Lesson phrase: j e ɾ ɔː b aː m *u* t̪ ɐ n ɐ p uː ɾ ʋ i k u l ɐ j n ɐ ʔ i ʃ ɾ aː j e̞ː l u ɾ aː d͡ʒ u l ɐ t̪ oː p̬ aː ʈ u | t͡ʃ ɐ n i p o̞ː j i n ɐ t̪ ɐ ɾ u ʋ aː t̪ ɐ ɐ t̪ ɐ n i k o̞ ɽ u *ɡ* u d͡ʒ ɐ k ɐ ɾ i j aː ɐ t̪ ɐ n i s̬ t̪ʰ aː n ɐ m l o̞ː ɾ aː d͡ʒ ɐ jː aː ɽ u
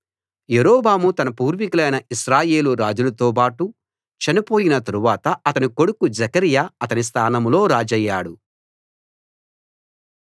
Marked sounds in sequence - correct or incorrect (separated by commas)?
correct, incorrect